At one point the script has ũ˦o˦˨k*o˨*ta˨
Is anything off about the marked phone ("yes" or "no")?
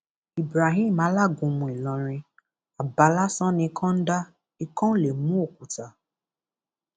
yes